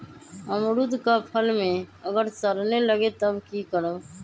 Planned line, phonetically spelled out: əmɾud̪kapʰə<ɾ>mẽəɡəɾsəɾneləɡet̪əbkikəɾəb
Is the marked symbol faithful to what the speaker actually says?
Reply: no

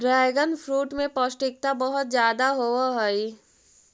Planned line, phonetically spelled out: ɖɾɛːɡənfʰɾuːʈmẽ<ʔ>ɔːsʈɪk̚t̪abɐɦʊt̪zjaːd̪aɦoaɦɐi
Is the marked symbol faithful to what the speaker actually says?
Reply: no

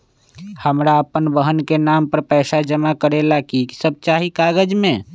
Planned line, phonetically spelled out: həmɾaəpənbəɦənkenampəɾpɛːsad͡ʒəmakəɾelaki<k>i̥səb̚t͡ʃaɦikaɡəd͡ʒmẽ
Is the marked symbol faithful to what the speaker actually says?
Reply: yes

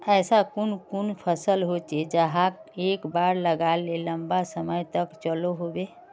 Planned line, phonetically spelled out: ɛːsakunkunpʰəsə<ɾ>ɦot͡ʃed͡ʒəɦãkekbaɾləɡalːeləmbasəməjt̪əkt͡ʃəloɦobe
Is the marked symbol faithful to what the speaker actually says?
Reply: no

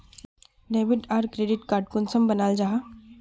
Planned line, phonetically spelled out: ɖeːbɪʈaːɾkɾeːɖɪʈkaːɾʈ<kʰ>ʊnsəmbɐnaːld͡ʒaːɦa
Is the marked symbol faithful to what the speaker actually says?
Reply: no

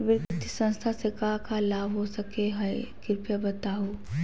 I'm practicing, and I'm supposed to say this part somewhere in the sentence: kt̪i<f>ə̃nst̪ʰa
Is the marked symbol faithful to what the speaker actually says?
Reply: no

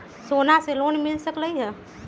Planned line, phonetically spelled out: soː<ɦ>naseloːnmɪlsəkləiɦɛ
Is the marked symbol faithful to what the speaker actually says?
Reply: no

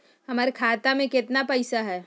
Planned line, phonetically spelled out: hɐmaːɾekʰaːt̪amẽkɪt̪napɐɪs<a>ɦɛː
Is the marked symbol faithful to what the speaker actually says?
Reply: yes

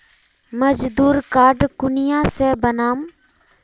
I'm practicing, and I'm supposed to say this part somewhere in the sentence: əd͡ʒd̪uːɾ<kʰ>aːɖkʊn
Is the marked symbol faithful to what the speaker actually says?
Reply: no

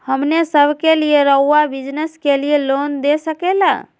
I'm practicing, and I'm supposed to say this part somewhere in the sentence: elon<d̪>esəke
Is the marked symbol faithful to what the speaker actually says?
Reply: yes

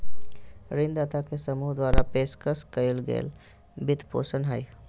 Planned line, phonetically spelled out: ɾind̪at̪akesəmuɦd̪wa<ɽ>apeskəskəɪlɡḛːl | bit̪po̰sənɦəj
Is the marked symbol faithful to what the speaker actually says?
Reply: no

